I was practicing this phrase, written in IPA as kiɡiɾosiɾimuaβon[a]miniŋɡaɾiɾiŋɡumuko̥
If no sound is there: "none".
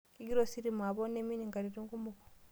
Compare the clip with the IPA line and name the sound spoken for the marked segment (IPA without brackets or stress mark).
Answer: e